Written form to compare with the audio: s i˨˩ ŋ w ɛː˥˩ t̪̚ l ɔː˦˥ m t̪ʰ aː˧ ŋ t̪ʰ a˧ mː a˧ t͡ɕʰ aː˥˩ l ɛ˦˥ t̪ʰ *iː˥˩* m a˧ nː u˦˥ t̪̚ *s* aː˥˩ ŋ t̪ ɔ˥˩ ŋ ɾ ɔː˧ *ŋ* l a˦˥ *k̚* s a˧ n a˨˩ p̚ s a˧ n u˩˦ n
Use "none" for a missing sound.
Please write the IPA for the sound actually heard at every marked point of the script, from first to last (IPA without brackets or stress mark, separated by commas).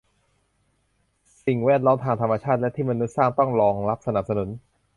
iː˥˩, s, ŋ, p̚